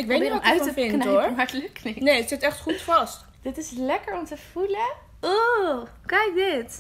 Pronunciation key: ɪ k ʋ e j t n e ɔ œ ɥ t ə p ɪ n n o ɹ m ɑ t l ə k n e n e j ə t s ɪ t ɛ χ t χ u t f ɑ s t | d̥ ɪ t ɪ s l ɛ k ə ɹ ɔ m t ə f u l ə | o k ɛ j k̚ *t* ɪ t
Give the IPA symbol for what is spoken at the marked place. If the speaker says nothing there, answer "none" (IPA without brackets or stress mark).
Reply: d